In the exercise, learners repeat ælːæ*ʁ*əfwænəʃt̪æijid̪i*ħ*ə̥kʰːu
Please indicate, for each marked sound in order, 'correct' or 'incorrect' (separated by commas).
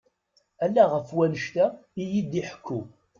correct, correct